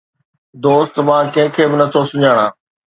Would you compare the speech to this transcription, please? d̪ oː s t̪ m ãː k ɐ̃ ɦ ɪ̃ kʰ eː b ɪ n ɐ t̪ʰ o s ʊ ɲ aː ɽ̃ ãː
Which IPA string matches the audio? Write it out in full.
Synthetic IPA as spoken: d̪ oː s t̪ m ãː k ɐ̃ ɦ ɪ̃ kʰ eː b ɪ n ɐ t̪ʰ o s ʊ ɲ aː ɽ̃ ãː